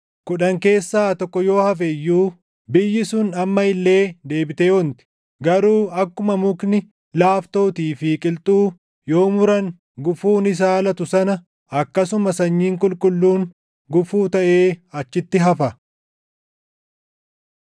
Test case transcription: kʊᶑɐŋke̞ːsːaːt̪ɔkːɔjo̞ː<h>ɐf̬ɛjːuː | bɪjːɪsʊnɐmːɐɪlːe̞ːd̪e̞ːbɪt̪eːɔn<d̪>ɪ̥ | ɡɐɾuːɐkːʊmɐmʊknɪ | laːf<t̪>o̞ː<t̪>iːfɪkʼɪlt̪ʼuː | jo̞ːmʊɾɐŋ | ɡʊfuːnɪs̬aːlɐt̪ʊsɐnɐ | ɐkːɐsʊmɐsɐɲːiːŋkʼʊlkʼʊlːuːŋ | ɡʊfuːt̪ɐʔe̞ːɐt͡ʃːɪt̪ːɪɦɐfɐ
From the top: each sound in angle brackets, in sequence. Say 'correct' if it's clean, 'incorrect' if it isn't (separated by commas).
correct, incorrect, correct, correct